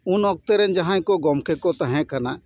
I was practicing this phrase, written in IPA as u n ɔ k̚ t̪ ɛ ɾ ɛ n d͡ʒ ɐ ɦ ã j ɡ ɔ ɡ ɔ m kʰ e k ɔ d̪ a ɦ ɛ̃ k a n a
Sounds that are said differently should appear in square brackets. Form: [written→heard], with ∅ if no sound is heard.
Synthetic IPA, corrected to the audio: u n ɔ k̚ t̪ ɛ ɾ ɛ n d͡ʒ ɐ ɦ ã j [ɡ→k] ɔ ɡ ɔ m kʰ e k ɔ [d̪→t̪] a ɦ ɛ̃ k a n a